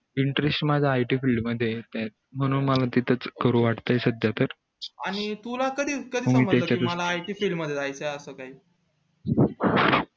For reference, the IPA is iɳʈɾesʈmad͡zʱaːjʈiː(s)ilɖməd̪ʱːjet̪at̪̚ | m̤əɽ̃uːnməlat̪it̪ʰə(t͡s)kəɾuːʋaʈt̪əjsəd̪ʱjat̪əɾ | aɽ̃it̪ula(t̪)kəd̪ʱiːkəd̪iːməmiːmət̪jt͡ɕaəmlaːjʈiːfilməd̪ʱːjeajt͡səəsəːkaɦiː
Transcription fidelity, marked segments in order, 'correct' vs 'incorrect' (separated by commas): incorrect, correct, incorrect